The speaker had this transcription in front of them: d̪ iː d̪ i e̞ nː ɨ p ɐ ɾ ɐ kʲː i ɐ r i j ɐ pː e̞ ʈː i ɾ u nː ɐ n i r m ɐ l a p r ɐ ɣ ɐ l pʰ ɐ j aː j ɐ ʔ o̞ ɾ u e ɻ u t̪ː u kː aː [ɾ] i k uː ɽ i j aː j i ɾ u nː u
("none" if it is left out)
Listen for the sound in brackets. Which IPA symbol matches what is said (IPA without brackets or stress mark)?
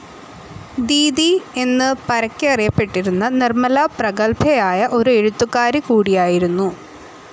ɾ